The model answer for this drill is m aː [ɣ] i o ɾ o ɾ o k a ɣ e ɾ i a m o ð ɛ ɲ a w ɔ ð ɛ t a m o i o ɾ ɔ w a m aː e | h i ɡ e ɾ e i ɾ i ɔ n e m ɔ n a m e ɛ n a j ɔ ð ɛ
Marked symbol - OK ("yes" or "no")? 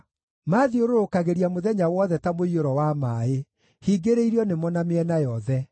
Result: no